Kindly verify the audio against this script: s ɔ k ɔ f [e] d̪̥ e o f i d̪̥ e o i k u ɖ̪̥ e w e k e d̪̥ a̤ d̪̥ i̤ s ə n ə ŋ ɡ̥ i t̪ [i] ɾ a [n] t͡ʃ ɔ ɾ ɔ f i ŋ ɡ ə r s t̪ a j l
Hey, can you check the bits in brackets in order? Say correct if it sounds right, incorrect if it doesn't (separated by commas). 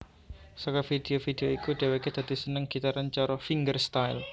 incorrect, incorrect, correct